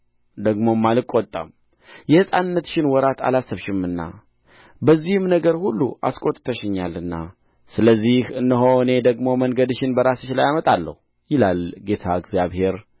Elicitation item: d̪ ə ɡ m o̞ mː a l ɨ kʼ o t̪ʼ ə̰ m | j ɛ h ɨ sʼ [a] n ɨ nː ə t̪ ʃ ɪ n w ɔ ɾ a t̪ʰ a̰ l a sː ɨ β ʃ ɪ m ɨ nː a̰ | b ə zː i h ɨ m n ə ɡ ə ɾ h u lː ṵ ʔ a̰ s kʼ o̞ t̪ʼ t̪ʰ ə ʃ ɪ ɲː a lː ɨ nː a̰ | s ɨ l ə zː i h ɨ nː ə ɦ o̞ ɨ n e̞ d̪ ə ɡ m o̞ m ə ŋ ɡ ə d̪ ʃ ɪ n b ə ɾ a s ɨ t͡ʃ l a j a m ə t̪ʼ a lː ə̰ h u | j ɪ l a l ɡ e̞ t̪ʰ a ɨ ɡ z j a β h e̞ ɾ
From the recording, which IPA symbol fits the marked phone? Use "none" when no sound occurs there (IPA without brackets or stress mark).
a